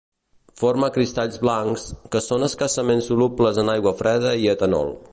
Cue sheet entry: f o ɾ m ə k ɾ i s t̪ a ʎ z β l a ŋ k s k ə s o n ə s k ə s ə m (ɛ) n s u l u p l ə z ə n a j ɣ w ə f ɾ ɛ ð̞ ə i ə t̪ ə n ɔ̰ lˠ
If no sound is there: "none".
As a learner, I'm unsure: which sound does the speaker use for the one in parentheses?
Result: e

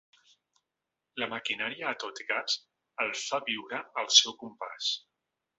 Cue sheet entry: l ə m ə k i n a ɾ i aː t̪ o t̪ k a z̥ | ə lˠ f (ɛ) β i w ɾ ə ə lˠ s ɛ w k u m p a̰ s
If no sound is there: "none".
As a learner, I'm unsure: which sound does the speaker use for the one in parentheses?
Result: a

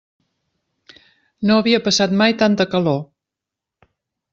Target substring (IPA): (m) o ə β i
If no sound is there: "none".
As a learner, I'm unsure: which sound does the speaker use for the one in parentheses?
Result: n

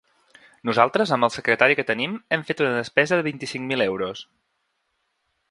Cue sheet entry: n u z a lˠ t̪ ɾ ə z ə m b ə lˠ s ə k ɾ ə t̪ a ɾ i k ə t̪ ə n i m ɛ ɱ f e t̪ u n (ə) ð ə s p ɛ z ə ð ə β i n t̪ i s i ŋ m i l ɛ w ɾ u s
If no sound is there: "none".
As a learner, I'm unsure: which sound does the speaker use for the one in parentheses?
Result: ə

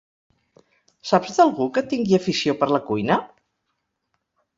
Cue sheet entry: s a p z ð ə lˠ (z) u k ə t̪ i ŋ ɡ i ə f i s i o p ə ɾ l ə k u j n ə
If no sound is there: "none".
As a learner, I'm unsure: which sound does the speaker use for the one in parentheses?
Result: ɣ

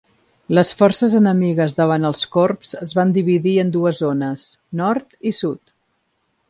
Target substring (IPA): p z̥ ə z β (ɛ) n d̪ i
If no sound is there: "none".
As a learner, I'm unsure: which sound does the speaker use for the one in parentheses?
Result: a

